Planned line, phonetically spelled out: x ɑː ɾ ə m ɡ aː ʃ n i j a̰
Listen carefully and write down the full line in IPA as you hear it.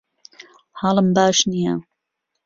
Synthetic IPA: h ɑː l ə m b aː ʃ n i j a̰

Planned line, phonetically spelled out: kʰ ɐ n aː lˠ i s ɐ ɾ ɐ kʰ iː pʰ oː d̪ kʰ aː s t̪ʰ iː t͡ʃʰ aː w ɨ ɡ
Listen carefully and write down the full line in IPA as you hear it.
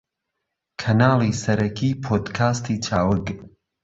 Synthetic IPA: kʰ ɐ n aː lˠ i s ɐ ɾ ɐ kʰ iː pʰ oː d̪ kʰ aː s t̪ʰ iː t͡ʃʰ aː w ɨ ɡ

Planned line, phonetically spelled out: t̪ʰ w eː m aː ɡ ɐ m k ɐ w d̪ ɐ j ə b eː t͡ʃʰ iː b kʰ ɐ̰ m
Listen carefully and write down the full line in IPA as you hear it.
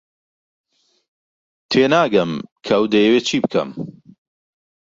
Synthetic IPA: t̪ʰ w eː n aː ɡ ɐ m kʰ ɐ w d̪ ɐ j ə w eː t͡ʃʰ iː b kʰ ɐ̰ m

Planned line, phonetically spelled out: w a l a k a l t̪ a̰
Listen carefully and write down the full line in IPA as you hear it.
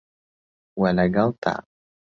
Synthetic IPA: w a l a ɡ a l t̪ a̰

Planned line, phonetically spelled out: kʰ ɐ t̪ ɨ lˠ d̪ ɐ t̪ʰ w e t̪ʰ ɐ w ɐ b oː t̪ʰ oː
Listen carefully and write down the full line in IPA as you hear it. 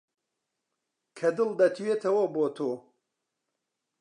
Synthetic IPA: kʰ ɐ d̪ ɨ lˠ d̪ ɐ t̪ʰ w e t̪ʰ ɐ w ɐ b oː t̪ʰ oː

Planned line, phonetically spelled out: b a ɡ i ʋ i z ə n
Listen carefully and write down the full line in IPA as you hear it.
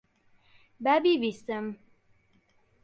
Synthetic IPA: b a b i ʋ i s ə m

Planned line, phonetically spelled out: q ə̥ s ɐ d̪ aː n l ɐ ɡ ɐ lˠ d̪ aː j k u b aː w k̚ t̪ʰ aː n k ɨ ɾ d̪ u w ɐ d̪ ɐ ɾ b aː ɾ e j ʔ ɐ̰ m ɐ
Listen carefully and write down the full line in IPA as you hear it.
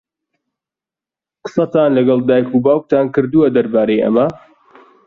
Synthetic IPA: q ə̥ s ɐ t̪ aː n l ɐ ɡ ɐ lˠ d̪ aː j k u b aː w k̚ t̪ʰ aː n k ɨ ɾ d̪ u w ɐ d̪ ɐ ɾ b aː ɾ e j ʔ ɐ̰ m ɐ

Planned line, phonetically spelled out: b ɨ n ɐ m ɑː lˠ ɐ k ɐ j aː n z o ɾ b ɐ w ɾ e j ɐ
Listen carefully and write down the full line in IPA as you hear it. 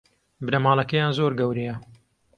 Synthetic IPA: b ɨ n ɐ m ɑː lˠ ɐ k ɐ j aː n z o ɾ ɡ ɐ w ɾ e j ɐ

